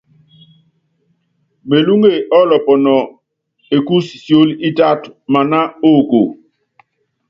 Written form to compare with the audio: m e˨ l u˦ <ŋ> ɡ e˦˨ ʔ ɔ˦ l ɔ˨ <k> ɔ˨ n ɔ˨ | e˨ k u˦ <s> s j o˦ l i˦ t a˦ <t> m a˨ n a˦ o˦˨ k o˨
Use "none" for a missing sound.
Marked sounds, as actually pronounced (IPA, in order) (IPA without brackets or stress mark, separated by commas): ŋ, p, s, t